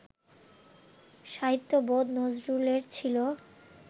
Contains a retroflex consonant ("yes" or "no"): no